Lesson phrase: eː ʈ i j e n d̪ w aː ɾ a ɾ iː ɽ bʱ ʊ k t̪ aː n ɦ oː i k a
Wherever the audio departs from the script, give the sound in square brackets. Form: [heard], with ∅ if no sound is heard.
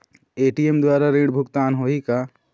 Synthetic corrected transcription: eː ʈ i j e [m] d̪ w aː ɾ a ɾ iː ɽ bʱ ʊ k t̪ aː n ɦ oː i k a